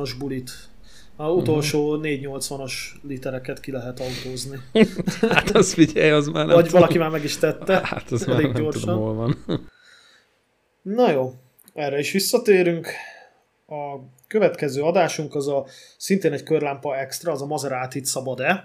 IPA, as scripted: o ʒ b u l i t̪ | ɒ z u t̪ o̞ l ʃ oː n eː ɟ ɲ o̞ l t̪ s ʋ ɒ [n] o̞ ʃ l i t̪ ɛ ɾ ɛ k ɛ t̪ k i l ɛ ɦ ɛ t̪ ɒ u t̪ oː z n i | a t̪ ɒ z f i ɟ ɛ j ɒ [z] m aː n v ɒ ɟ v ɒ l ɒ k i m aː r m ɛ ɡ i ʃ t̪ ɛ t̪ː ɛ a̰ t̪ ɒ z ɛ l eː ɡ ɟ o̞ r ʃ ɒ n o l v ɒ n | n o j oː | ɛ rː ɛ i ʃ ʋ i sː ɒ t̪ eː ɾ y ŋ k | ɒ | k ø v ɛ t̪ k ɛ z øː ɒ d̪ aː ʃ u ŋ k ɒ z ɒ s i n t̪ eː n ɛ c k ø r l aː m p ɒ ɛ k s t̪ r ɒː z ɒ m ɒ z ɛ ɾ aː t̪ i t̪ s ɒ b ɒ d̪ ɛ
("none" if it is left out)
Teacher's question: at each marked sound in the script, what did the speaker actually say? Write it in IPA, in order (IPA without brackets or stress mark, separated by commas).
n, z